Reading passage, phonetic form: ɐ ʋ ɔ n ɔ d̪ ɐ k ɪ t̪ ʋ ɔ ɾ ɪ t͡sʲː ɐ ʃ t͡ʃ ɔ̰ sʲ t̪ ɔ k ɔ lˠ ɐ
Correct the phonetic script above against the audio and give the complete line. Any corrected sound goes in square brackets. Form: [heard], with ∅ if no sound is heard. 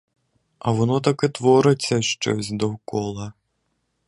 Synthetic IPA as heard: ɐ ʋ ɔ n ɔ [t̪] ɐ k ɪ t̪ ʋ ɔ ɾ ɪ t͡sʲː ɐ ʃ t͡ʃ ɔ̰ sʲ [d̪] ɔ k ɔ lˠ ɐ

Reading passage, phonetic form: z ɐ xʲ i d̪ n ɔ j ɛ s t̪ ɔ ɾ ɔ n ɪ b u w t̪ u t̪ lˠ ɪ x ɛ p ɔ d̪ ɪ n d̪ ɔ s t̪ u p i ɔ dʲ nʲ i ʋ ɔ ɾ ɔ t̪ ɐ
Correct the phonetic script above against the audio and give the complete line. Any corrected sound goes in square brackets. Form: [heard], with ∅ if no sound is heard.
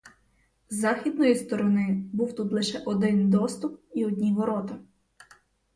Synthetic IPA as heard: z [ɑ] xʲ i d̪ n ɔ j [i] s t̪ ɔ ɾ ɔ n ɪ b u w t̪ u t̪ lˠ ɪ [ʃ] ɛ [ʔ] ɔ d̪ ɪ n d̪ ɔ s t̪ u p i ɔ dʲ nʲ i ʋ ɔ ɾ ɔ t̪ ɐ

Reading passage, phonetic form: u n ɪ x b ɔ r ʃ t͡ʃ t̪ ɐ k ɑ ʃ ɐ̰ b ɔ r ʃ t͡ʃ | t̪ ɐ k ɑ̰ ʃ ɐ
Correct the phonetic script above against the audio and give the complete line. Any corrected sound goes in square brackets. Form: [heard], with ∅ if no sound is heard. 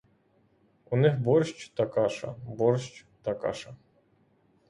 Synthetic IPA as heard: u n ɪ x b ɔ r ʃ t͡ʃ t̪ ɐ k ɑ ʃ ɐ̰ b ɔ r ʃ t͡ʃ | t̪ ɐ k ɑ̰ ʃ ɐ

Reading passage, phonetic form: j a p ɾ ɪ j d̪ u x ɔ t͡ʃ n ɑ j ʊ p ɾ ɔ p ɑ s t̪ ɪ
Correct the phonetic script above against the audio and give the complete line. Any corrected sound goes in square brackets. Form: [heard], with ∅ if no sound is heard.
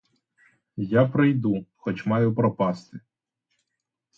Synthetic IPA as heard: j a p ɾ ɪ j d̪ u x ɔ t͡ʃ [m] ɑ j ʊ p ɾ ɔ p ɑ s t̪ ɪ

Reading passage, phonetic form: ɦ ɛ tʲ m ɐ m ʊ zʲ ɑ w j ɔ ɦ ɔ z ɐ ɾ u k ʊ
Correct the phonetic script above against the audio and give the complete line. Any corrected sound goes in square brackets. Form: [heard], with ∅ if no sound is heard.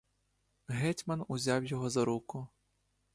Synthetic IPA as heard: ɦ ɛ tʲ m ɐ [n] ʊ zʲ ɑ w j ɔ ɦ ɔ z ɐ ɾ u k ʊ

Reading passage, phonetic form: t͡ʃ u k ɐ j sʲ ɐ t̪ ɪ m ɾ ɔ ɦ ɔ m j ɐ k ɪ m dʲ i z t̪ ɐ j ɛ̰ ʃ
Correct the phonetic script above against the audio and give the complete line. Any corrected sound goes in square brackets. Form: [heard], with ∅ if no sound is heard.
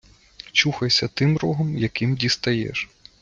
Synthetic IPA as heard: t͡ʃ u [x] ɐ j sʲ ɐ t̪ ɪ m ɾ ɔ ɦ ɔ m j ɐ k ɪ m dʲ i [s] t̪ ɐ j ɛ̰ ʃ

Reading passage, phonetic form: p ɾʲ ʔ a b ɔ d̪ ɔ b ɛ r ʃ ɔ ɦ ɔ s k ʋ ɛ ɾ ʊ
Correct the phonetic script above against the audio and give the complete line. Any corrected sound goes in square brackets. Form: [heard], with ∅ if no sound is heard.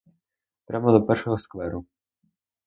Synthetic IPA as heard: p ɾʲ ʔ a [m] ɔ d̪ ɔ [p] ɛ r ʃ ɔ ɦ ɔ s k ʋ ɛ ɾ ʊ

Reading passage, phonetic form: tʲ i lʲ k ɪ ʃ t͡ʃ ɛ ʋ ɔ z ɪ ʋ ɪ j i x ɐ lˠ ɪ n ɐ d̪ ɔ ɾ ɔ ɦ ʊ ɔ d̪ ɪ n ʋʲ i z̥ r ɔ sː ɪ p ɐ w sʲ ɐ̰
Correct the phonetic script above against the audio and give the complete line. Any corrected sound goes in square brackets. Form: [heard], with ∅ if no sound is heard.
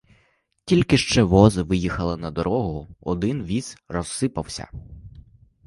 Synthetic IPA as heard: tʲ i lʲ k ɪ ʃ t͡ʃ ɛ ʋ ɔ z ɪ ʋ ɪ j i x ɐ lˠ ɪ n ɐ d̪ ɔ ɾ ɔ ɦ ʊ ɔ d̪ ɪ n ʋʲ i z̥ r ɔ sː ɪ p ɐ w sʲ ɐ̰

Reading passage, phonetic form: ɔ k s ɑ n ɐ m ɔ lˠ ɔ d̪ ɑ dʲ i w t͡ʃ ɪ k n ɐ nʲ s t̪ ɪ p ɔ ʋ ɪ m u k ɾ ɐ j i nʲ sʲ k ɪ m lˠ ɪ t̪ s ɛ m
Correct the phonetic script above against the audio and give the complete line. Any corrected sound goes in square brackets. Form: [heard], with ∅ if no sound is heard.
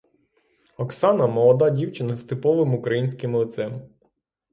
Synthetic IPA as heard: ɔ k s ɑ n ɐ m ɔ lˠ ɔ d̪ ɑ dʲ i w t͡ʃ ɪ [∅] n ɐ [∅] s t̪ ɪ p ɔ ʋ ɪ m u k ɾ ɐ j i nʲ sʲ k ɪ m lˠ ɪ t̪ s ɛ m

